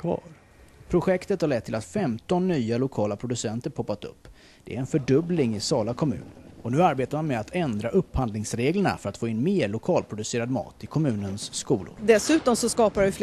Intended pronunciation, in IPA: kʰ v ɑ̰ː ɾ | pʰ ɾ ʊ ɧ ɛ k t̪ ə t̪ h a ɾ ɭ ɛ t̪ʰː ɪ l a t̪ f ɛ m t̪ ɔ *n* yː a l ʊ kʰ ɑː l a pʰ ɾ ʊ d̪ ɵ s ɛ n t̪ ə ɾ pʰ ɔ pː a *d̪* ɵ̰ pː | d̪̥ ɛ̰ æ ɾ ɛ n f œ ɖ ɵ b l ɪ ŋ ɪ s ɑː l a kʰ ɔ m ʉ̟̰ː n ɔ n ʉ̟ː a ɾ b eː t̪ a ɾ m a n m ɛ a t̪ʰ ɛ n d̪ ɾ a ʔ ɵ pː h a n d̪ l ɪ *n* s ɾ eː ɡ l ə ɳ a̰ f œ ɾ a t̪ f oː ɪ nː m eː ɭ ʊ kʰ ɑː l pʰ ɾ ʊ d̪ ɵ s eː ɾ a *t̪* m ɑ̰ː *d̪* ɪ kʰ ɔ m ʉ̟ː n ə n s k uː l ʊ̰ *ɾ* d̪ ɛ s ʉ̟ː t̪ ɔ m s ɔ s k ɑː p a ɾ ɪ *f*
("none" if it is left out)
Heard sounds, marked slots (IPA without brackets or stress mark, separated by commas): nː, t̪, ŋ, d̪, t̪, ɾ, f